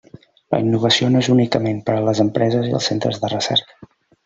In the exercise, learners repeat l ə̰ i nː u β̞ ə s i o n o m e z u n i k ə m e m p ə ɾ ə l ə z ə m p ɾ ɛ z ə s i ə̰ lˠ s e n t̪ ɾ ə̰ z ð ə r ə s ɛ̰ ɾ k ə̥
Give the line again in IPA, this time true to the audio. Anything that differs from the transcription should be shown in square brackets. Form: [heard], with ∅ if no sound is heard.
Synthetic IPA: l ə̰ i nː u β̞ ə s i o n o [∅] e z u n i k ə m e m p ə ɾ ə l ə z ə m p ɾ ɛ z ə [z] i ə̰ lˠ s e n t̪ ɾ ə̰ z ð ə r ə s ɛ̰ ɾ k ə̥